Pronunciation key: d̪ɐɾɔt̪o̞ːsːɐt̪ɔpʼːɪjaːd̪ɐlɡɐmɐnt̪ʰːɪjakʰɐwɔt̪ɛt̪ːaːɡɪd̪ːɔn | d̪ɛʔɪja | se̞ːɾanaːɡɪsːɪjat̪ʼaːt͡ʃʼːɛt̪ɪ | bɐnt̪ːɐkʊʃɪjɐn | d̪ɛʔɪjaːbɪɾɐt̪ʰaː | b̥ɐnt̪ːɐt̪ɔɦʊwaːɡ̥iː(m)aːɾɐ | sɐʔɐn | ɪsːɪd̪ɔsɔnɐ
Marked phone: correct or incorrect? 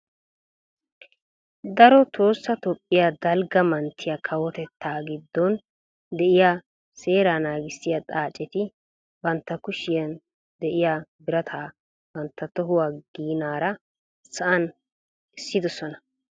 incorrect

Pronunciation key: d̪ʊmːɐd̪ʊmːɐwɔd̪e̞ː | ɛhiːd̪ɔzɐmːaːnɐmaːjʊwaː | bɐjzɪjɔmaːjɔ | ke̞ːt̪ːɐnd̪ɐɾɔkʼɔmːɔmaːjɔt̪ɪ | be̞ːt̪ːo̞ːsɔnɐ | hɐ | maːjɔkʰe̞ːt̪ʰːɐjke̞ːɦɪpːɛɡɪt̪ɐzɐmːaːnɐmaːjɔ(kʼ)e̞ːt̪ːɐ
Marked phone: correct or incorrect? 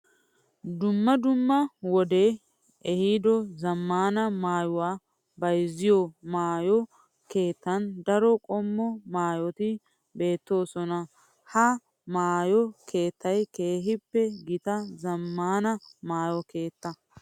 incorrect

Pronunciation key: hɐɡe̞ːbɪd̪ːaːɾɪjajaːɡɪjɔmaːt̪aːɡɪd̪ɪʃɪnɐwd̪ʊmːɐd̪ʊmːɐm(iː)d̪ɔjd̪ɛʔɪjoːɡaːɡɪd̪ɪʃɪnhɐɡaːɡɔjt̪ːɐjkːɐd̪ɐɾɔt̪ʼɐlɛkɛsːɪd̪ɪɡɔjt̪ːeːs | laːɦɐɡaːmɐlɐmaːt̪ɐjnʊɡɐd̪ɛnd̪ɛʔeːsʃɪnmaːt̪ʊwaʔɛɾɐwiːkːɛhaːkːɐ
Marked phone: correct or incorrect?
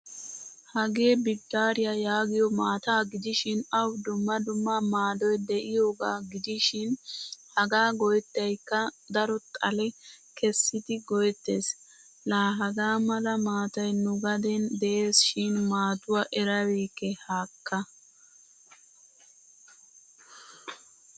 incorrect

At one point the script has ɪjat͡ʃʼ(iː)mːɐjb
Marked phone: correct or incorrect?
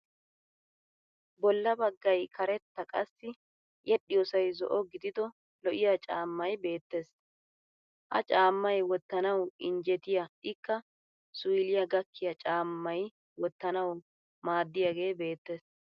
incorrect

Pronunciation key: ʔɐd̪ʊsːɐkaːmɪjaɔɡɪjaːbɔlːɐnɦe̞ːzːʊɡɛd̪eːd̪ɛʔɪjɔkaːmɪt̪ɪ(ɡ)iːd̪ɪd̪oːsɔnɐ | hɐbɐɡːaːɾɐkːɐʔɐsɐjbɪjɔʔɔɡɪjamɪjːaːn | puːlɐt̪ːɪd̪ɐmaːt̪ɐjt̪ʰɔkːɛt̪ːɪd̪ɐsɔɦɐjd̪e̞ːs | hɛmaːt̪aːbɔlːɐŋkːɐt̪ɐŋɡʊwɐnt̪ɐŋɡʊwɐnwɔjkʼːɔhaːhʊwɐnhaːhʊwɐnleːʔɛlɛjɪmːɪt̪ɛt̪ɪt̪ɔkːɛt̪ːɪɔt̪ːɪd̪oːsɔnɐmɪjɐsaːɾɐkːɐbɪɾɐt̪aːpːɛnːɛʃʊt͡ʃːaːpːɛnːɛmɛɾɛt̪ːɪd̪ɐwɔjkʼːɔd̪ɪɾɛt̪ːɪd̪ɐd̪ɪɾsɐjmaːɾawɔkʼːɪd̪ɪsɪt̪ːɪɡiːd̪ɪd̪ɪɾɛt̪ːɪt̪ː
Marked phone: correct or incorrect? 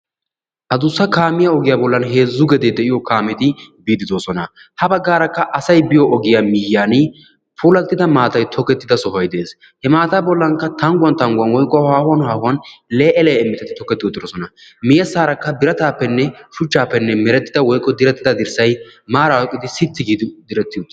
incorrect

